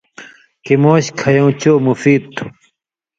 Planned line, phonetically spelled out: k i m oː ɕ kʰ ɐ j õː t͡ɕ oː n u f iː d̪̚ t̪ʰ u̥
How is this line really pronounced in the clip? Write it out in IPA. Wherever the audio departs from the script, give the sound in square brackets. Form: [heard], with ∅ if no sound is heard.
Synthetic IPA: k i m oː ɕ kʰ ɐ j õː t͡ɕ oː [m] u f iː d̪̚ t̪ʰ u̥